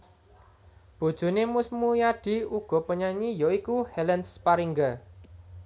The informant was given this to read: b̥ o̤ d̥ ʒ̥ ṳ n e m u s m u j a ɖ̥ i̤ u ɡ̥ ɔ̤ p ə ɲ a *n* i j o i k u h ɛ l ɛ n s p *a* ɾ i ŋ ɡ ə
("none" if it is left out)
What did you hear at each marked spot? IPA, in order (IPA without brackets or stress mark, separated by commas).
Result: ɲ, a